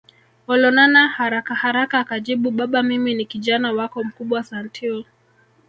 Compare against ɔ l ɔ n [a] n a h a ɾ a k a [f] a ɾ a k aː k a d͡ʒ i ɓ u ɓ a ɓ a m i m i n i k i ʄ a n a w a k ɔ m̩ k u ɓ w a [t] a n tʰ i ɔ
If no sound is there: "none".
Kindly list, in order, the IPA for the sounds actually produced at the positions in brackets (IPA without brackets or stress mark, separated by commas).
a, h, s